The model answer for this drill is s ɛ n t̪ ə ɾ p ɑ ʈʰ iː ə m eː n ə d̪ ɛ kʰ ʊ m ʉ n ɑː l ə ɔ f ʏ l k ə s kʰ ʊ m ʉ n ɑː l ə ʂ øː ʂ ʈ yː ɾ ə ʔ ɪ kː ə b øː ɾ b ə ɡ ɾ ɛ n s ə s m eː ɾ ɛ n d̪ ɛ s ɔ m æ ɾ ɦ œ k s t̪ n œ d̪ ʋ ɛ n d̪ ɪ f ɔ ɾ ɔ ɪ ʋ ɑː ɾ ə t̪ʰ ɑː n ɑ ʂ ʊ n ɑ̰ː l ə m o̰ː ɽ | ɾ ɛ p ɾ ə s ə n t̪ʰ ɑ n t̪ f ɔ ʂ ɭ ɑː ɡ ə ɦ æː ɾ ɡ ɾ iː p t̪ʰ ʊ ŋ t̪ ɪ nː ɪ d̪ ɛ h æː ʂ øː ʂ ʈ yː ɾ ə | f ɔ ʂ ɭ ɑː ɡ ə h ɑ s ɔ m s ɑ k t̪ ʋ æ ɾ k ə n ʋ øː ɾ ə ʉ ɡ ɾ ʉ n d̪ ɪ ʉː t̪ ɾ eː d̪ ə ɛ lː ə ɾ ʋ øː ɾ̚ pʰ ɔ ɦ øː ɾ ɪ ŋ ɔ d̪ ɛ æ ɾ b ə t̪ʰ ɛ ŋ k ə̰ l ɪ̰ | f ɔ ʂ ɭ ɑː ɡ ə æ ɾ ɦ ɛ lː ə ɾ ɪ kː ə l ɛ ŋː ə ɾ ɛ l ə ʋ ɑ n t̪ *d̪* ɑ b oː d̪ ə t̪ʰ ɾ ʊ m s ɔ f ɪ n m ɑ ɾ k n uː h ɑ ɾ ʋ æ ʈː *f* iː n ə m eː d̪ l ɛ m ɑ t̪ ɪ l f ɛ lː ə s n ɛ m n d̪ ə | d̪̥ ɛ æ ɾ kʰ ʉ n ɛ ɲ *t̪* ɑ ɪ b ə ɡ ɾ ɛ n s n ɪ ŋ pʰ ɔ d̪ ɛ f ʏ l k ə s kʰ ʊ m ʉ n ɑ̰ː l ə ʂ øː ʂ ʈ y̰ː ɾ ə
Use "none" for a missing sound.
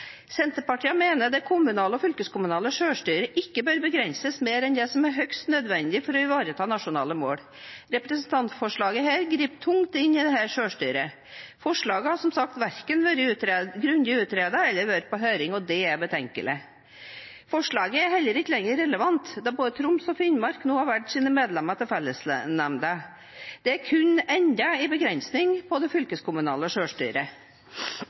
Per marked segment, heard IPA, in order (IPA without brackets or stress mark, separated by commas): d̪, s, d̪